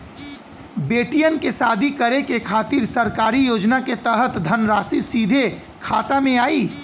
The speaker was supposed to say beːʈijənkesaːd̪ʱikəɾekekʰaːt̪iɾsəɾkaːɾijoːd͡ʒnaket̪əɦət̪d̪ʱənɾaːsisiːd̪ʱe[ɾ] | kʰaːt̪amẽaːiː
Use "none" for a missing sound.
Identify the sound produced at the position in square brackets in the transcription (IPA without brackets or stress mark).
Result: none